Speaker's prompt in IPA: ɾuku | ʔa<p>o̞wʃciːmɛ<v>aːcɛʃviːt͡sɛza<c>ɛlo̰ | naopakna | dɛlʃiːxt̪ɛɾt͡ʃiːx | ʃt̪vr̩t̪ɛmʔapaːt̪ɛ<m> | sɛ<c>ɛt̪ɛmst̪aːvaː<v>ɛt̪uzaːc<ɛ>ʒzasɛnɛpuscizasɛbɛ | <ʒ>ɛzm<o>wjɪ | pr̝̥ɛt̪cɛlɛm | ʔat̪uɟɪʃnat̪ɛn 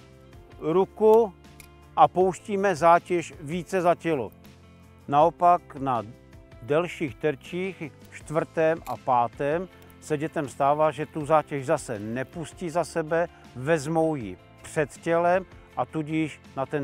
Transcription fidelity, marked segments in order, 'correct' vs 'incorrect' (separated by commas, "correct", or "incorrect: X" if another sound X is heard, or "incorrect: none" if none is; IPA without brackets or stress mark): correct, incorrect: z, correct, correct, incorrect: ɟ, incorrect: ʒ, correct, incorrect: v, correct